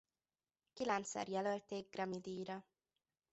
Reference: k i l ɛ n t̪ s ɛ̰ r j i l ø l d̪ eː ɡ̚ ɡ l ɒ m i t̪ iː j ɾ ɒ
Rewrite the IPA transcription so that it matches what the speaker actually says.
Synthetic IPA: k i l ɛ n t̪ s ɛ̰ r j ɛ l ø l t̪ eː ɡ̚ ɡ r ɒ m i d̪ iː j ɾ ɒ